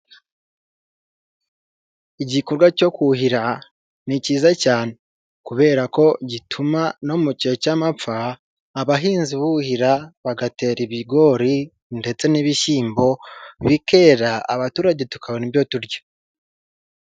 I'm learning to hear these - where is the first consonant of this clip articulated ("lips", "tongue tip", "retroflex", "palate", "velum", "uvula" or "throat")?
palate